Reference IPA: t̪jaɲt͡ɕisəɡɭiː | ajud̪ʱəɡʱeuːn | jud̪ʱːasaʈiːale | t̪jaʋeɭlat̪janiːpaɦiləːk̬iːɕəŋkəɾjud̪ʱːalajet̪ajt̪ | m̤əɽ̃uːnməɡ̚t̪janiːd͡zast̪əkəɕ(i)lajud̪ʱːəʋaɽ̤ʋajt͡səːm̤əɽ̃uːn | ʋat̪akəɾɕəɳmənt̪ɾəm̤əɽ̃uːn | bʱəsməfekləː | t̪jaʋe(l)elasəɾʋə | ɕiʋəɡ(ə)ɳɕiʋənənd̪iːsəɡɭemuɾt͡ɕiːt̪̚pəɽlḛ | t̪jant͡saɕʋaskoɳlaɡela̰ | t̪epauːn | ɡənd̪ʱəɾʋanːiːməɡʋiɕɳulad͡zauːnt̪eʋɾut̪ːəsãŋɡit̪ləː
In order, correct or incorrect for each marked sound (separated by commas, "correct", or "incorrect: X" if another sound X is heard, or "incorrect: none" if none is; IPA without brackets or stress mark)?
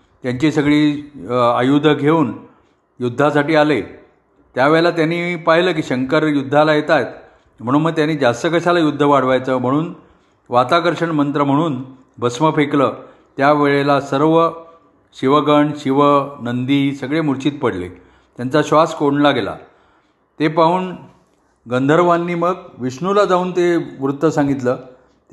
incorrect: a, incorrect: ɭ, correct